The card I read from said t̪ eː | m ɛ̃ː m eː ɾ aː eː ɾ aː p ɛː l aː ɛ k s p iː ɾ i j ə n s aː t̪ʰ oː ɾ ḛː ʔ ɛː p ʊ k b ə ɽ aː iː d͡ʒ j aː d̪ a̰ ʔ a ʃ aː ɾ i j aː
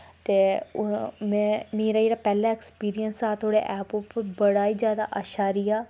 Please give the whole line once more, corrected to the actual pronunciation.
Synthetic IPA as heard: t̪ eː | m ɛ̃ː m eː ɾ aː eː ɾ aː p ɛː l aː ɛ k s p iː ɾ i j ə n s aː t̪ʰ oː ɽ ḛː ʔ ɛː p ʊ p b ə ɽ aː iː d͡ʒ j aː d̪ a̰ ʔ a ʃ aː ɾ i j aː